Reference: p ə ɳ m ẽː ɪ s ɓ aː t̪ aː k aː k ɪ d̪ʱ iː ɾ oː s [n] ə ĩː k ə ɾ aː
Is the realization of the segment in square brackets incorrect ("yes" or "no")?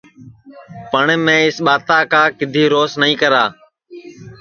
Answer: no